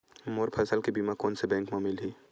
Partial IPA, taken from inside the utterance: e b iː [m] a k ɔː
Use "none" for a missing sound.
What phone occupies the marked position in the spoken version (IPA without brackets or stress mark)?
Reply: m